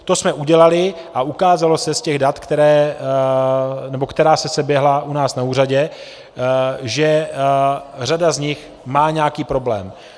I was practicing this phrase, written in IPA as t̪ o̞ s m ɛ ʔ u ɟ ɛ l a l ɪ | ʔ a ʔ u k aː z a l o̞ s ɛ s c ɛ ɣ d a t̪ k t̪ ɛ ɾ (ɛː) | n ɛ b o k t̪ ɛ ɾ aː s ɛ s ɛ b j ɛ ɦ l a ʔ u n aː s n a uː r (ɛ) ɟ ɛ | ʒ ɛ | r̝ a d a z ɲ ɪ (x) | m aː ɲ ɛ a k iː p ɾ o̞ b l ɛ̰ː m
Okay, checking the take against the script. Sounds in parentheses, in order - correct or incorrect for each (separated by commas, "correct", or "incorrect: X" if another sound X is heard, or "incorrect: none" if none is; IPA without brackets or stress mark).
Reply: correct, incorrect: a, correct